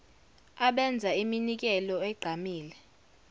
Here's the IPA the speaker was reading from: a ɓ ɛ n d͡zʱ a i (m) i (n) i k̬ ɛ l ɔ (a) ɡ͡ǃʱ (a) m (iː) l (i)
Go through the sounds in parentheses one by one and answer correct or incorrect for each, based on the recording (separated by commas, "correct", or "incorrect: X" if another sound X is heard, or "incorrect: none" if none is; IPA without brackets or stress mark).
correct, correct, incorrect: ɛ, correct, correct, incorrect: ɛ